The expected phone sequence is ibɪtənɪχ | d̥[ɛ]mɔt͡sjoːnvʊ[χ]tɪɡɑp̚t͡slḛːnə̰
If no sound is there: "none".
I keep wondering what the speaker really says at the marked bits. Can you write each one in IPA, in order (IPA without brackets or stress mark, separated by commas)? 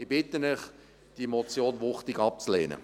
i, χ